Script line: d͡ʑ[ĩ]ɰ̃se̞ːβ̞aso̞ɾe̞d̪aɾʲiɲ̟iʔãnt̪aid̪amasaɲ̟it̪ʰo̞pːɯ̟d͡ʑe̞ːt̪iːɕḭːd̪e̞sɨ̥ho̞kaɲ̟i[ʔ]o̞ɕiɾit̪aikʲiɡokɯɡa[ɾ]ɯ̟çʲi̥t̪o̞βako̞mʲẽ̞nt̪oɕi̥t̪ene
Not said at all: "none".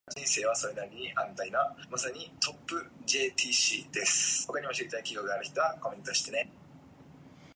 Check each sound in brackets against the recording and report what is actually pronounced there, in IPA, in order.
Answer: ĩ, none, ɾ

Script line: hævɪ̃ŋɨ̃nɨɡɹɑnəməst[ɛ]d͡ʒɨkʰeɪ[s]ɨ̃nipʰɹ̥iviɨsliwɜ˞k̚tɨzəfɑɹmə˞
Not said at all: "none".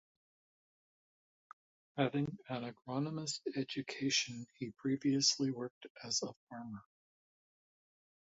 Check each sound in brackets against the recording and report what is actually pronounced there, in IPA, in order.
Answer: ɛ, ʃ

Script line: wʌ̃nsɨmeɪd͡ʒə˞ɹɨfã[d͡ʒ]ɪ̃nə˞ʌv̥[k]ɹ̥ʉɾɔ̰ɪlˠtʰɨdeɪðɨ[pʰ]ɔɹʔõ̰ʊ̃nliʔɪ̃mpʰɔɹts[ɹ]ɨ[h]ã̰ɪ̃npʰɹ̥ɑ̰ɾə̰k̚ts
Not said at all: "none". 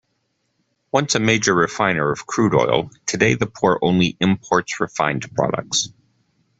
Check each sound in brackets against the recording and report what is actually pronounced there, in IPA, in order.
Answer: none, kʰ, pʰ, ɹ, f

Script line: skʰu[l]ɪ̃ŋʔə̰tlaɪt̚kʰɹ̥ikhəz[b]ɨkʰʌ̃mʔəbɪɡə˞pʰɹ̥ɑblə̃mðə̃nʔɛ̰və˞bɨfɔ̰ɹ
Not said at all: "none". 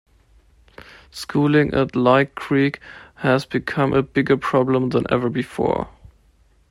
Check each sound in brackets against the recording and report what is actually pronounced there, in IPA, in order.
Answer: l, b

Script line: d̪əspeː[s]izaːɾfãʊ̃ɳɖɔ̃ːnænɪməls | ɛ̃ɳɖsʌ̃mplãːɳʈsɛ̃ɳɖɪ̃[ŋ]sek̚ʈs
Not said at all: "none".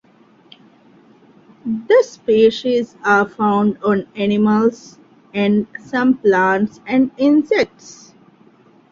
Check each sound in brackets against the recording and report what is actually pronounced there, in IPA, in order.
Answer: ʃ, n

